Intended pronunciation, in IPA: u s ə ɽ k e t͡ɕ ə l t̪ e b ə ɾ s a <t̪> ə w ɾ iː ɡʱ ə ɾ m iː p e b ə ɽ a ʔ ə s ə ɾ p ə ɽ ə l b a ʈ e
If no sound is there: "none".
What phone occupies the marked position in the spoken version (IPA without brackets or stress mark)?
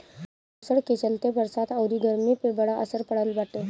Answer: t̪